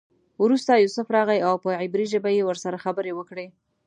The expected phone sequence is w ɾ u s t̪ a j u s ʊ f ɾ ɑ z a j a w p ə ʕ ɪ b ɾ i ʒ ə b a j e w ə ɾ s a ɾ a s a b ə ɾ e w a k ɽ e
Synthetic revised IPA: w ɾ u s t̪ a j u s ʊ f ɾ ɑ ɣ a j a w p ə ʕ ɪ b ɾ i ʒ ə b a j e w ə ɾ s a ɾ a x a b ə ɾ e w ə k ɽ e